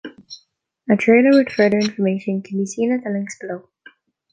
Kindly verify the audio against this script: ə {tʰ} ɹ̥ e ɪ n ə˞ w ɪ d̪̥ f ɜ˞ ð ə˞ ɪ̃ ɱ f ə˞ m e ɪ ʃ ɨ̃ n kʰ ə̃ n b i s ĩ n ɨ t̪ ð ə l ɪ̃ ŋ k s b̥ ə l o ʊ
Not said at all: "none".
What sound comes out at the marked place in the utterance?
tʰ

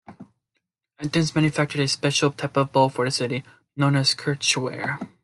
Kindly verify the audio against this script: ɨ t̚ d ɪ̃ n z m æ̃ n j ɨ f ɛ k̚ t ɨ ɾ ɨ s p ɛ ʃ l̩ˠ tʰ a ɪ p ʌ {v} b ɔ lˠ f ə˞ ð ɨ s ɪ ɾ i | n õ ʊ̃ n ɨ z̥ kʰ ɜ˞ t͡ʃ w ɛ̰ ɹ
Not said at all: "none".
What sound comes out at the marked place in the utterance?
v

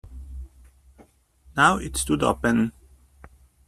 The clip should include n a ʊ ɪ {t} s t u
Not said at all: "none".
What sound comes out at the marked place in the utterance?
t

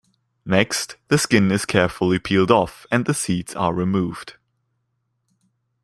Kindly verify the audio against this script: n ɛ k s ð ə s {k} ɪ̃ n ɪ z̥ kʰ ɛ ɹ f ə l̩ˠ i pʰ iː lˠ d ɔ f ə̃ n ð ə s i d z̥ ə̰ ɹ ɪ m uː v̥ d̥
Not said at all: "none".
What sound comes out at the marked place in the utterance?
k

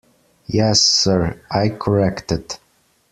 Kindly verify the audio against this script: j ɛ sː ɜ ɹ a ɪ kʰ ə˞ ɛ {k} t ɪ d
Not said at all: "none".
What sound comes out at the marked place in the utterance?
k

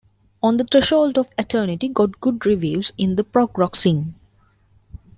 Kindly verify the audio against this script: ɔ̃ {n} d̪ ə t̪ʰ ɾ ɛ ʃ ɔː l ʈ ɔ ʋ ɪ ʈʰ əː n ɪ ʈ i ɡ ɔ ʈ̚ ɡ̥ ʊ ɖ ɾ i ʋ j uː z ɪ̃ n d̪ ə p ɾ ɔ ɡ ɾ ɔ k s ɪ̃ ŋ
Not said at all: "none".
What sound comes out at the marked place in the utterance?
n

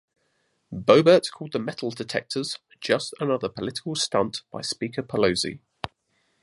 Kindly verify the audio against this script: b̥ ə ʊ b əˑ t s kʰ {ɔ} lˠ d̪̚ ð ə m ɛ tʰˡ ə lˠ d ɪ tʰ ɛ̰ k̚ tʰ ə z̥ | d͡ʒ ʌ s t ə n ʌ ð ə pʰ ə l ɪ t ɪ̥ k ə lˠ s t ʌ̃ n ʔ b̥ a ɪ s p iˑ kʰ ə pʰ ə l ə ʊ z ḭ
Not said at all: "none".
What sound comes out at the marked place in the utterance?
ɔː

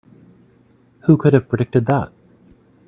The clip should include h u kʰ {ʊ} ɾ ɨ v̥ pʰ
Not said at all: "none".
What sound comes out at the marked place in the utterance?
ʊ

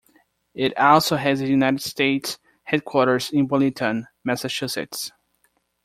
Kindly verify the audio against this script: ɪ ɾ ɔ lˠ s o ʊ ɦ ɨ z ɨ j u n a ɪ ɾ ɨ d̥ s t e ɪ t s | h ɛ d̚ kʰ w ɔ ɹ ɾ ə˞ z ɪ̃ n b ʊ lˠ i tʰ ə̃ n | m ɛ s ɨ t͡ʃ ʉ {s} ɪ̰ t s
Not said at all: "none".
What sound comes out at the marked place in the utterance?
s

